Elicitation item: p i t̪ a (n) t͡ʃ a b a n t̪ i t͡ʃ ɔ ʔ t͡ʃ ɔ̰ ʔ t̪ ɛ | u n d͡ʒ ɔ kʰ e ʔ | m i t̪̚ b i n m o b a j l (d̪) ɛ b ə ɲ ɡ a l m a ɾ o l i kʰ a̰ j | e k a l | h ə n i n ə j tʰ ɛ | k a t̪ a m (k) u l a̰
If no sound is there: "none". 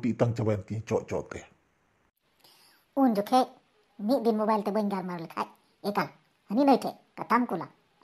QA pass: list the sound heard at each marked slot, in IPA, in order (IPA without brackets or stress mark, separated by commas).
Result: ŋ, t̪, k